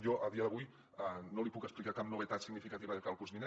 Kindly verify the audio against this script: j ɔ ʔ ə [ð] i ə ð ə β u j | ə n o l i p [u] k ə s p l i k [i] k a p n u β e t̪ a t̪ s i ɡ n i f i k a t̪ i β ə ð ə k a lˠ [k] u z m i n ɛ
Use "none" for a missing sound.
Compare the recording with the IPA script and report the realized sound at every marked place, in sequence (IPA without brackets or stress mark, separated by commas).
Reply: ð, u, a, k